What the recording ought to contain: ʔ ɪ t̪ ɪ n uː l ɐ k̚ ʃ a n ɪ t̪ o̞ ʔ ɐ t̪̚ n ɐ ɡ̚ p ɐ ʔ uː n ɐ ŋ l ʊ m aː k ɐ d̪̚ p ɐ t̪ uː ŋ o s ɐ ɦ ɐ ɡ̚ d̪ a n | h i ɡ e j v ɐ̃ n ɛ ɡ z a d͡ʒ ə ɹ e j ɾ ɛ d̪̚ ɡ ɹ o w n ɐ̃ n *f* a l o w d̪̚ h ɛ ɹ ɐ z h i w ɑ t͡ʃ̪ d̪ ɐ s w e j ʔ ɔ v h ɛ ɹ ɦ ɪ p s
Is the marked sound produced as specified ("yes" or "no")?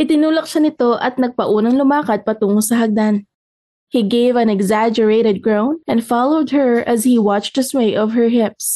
yes